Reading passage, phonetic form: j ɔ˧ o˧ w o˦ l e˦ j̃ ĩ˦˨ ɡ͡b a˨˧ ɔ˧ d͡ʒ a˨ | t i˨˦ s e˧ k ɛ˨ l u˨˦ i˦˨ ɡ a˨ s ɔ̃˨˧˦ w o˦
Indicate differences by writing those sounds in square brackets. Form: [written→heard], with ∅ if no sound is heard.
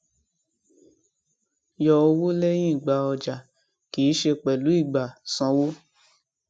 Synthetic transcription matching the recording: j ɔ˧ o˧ w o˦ l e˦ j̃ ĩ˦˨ ɡ͡b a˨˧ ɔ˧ d͡ʒ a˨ | [t→k] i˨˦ [s→ʃ] e˧ [k→k͡p] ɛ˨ l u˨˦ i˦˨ [ɡ→ɡ͡b] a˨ s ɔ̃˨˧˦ w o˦

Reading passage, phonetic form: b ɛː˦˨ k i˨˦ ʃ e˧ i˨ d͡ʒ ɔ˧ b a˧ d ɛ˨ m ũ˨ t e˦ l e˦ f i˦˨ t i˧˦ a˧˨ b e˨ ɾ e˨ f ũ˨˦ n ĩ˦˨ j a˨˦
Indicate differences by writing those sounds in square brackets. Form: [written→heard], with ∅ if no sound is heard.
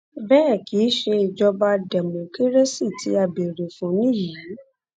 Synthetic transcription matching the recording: b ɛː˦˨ k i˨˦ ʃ e˧ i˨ d͡ʒ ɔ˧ b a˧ d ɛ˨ m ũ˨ [t→k] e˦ [l→ɾ] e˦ [f→s] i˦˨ t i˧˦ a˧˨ b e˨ ɾ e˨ f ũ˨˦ n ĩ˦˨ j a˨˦

